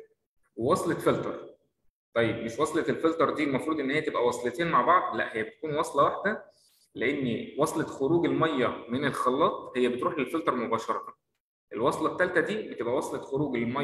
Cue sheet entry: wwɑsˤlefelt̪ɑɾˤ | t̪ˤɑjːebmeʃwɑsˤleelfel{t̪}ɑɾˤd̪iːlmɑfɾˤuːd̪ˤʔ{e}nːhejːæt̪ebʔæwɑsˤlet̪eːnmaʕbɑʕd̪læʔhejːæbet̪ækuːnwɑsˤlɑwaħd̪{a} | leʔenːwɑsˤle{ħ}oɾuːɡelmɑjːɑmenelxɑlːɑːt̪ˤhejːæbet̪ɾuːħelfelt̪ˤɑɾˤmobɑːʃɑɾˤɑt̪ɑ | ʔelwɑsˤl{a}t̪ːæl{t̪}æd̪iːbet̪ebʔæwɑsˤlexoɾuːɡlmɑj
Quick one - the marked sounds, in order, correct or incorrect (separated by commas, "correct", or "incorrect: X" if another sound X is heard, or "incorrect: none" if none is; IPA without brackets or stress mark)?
correct, correct, incorrect: æ, incorrect: x, incorrect: ɑ, correct